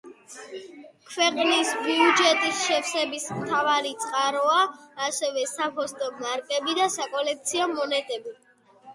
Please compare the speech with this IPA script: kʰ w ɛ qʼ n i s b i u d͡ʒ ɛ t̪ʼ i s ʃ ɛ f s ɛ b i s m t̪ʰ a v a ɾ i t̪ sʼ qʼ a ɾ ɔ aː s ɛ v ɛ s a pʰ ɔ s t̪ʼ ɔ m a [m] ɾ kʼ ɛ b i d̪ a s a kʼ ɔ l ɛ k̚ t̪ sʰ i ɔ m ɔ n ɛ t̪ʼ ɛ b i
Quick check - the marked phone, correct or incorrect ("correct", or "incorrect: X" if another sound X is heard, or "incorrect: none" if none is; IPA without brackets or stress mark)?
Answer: incorrect: none